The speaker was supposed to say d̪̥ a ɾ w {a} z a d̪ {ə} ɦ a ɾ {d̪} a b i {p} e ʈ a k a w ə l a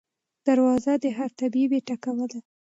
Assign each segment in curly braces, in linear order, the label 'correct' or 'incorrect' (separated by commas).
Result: incorrect, correct, incorrect, incorrect